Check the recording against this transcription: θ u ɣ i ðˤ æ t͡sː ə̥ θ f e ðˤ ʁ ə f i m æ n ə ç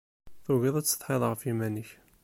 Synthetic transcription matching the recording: θ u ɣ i ðˤ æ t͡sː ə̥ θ ħ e ðˤ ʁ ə f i m æ n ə ç